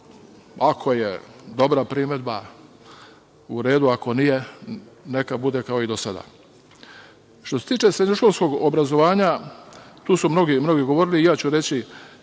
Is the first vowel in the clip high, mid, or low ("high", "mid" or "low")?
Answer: low